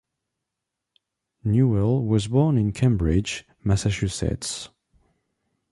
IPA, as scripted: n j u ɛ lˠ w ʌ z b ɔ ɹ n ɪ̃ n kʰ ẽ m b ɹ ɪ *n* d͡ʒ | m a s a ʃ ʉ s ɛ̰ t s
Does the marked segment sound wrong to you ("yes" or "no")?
yes